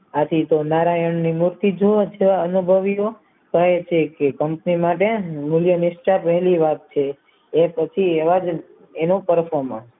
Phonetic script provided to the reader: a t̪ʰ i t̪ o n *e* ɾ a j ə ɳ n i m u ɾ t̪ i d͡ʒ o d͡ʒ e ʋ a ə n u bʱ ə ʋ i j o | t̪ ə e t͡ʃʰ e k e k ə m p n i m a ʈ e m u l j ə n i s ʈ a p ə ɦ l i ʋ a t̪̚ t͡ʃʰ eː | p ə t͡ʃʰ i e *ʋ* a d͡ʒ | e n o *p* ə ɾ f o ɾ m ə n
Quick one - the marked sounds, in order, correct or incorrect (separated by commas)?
incorrect, correct, correct